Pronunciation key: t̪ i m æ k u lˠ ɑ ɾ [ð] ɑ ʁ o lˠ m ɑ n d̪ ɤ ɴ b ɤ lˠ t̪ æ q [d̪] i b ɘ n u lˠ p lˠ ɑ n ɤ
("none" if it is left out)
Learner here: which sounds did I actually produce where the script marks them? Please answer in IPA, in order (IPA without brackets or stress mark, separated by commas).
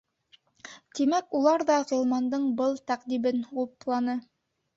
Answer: ð, d̪